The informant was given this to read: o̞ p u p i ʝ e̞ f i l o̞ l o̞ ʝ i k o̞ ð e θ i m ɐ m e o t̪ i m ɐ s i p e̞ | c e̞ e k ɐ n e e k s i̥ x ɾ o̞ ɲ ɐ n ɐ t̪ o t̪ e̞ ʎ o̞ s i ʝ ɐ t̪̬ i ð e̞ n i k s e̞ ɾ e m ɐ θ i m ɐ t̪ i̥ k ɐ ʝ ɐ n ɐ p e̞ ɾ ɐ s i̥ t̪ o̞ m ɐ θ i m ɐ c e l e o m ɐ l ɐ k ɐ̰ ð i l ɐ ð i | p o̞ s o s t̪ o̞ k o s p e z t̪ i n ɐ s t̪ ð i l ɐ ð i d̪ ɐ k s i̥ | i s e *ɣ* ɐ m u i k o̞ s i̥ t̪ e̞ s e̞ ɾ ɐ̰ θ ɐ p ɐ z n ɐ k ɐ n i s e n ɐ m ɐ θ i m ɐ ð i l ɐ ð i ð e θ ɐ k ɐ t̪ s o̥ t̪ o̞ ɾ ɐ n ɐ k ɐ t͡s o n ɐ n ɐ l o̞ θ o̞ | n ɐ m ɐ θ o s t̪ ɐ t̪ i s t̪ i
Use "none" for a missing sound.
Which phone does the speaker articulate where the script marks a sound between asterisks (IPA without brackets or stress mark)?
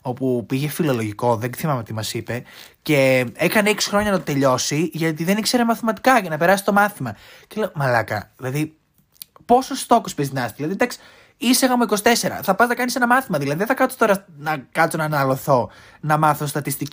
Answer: ɣ